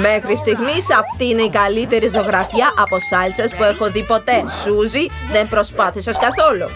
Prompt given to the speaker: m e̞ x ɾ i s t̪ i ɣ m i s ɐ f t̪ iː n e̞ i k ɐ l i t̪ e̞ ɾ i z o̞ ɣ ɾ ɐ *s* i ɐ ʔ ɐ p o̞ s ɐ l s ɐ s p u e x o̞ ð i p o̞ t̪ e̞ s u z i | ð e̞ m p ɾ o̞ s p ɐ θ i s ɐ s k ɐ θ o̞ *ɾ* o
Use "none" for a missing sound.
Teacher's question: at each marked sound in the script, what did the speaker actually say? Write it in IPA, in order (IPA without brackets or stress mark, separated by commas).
f, l